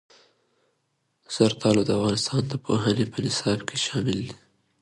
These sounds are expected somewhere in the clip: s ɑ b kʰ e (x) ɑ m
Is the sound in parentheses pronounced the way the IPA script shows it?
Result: no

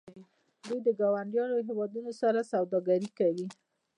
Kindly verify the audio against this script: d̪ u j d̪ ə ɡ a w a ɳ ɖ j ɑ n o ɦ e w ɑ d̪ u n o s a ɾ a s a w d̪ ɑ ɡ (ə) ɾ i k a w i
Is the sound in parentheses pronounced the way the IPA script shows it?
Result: no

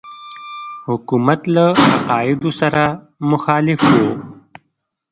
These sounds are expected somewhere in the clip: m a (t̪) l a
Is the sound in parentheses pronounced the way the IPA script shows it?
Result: yes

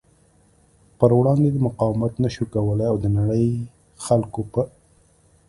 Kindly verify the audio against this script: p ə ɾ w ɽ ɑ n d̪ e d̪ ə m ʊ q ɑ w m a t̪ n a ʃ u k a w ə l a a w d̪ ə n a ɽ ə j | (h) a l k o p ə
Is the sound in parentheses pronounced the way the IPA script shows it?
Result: no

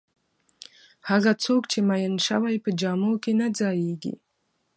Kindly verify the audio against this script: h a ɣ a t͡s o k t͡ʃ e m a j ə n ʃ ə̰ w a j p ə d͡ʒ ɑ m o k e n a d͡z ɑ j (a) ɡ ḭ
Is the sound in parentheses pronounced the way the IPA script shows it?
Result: no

